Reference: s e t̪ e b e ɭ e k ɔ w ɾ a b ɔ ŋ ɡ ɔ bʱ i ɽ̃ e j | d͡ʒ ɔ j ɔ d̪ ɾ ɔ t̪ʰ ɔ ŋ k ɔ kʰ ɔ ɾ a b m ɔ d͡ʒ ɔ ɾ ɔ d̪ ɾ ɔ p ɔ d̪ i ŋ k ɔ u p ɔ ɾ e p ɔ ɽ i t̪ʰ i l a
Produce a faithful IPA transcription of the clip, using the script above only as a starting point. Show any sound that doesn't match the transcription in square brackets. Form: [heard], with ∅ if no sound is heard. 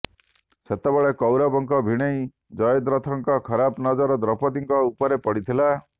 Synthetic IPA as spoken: s e t̪ e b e ɭ e k ɔ w ɾ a b ɔ ŋ [k] ɔ bʱ i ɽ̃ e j | d͡ʒ ɔ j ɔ d̪ ɾ ɔ t̪ʰ ɔ ŋ k ɔ kʰ ɔ ɾ a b [n] ɔ d͡ʒ ɔ ɾ ɔ d̪ ɾ ɔ p ɔ d̪ i ŋ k ɔ u p ɔ ɾ e p ɔ ɽ i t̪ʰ i l a